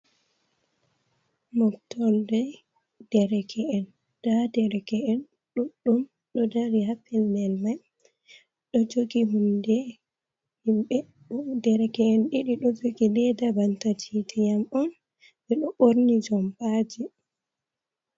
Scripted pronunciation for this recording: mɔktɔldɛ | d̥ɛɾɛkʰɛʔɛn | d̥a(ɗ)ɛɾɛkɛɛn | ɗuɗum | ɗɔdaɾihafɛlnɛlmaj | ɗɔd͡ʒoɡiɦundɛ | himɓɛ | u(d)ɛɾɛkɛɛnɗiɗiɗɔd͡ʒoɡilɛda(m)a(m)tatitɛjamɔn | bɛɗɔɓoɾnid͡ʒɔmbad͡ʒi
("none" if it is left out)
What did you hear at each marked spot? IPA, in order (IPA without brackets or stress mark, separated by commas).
d, d, b, n